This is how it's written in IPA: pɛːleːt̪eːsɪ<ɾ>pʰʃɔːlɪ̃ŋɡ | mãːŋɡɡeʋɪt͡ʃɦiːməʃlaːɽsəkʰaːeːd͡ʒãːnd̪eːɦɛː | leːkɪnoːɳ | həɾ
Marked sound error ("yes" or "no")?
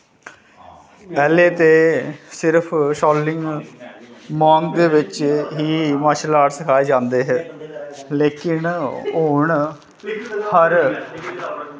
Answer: no